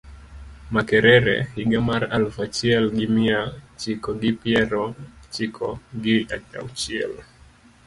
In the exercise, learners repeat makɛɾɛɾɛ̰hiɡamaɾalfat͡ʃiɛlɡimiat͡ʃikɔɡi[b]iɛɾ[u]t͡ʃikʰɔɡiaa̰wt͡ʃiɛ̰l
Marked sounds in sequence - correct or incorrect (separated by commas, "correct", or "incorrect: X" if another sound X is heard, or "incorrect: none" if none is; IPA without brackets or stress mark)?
incorrect: p, incorrect: ɔ